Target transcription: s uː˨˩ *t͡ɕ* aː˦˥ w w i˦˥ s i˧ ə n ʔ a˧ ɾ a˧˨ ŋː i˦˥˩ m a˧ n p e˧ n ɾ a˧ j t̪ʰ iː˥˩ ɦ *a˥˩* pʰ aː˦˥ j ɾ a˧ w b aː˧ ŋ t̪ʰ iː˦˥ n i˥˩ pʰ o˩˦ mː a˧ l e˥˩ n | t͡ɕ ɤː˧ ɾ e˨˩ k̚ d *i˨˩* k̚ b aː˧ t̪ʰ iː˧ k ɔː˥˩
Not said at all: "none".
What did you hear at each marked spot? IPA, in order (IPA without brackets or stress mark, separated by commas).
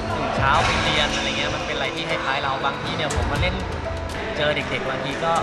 t͡ɕʰ, a˥˩, e˨˩